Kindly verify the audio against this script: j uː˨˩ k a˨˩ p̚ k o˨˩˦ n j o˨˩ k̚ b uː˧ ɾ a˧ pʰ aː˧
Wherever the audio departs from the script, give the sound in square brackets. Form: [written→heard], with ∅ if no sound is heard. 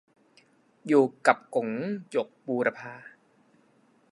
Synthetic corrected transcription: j uː˨˩ k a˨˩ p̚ k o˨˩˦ [n→ŋ] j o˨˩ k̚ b uː˧ ɾ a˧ pʰ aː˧